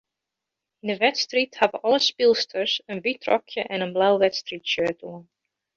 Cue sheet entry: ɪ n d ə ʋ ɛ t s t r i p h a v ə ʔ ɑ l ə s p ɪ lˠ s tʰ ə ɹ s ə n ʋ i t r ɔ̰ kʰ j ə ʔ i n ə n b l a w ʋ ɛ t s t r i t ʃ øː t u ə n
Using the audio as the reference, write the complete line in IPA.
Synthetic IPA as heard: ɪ n d ə ʋ ɛ t s t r i t h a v ə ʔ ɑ l ə s p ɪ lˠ s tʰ ə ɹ s ə n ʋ i t r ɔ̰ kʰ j ə ʔ ɛ n ə n b l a w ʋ ɛ t s t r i t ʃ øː t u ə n